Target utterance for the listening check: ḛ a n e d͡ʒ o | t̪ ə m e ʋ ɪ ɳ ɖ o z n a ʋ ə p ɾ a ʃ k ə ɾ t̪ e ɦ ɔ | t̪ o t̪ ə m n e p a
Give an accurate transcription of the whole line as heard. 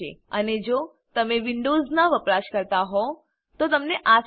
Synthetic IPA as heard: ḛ ə n e d͡ʒ o | t̪ ə m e ʋ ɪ ɳ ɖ o z n a ʋ ə p ɾ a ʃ k ə ɾ t̪ a ɦ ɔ | t̪ o t̪ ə m n e ʔ a